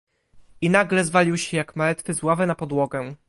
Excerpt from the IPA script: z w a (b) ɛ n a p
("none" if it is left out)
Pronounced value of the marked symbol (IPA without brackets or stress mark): v